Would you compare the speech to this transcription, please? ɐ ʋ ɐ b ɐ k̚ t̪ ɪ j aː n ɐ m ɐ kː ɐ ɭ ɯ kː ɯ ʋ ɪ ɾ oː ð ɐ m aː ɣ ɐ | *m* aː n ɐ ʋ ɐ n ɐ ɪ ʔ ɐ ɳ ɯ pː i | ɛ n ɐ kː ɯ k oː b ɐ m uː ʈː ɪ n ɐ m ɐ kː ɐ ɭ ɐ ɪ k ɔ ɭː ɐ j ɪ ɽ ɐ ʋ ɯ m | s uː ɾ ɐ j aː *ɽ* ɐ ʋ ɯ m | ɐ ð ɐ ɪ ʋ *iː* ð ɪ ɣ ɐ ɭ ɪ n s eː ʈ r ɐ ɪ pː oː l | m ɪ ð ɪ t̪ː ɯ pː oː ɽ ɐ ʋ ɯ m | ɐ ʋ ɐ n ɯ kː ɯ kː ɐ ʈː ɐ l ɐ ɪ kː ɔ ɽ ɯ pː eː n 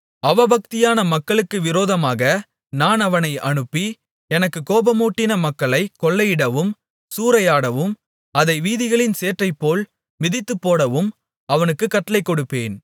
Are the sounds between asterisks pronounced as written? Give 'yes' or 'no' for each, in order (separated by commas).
no, yes, yes